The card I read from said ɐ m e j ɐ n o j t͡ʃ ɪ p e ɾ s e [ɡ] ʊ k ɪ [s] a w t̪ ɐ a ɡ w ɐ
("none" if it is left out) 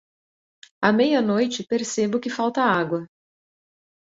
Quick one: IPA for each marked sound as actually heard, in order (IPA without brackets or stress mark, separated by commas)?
b, f